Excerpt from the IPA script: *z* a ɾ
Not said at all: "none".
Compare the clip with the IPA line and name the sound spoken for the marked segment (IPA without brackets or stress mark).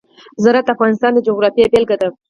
z